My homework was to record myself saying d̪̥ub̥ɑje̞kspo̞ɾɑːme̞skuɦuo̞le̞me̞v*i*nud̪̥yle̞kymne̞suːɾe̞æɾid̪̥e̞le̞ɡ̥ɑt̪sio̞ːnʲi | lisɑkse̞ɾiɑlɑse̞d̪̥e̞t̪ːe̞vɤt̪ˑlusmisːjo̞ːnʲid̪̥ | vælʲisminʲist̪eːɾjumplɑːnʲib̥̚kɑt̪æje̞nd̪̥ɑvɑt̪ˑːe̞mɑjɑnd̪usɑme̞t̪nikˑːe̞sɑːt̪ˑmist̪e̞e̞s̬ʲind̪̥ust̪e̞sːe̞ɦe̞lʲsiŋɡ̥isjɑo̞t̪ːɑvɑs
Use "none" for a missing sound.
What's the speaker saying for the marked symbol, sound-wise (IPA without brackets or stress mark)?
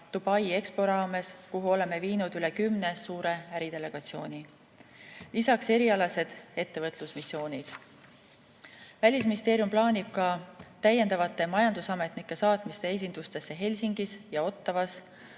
iː